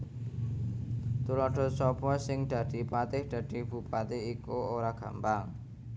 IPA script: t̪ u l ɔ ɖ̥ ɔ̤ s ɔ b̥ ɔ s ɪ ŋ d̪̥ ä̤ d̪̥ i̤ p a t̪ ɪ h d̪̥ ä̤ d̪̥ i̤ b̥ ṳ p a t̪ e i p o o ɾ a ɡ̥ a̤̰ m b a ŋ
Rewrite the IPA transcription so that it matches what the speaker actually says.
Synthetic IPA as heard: t̪ u l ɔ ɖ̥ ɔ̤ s ɔ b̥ ɔ s ɪ ŋ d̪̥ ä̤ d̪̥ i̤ p a t̪ ɪ h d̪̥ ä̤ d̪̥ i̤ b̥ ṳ p a t̪ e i k o o ɾ a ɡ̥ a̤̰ m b a ŋ

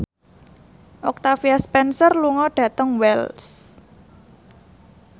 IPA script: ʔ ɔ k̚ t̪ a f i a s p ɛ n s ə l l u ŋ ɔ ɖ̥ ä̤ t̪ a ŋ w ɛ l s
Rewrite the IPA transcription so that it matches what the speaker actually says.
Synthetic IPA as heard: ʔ ɔ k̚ t̪ a f i a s p ɛ n s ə r l u ŋ ɔ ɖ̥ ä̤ t̪ ə ŋ w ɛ l s

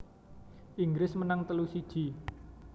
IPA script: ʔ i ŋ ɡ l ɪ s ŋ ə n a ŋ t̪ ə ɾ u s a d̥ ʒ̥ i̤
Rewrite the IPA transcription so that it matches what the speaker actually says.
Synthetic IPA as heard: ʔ i ŋ ɡ ɾ ɪ s m ə n a ŋ t̪ ə l u s i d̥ ʒ̥ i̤

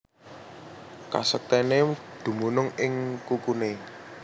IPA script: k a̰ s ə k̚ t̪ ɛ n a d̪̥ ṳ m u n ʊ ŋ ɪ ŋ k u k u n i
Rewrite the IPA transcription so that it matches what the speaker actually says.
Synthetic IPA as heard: k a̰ s ə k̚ t̪ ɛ n e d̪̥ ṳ m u n ʊ ŋ ɪ ŋ k u k u n e

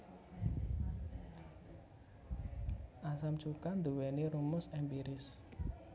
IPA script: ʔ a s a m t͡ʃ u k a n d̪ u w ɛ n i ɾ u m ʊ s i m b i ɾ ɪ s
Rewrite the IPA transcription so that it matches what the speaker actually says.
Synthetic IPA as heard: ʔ a s a m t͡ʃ u k a n d̪ u w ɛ n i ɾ u m ʊ s ɛ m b i ɾ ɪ s

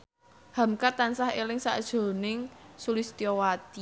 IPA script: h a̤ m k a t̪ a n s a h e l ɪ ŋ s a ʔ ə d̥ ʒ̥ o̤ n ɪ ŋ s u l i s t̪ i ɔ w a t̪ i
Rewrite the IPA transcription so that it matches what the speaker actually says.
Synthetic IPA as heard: h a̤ m k a t̪ a n s a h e l ɪ ŋ s a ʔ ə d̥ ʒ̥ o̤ n ɪ ŋ s u l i s t̪ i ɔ w a t̪ i

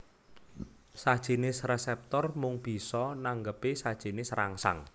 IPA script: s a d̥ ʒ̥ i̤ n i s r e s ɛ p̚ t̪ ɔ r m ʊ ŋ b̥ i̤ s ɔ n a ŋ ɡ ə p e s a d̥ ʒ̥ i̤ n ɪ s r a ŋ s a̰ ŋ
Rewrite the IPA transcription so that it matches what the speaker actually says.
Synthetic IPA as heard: s a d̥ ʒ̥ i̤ n ɪ s r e s ɛ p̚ t̪ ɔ r m ʊ ŋ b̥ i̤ s ɔ n a ŋ ɡ ə p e s a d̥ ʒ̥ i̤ n ɪ s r a ŋ s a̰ ŋ

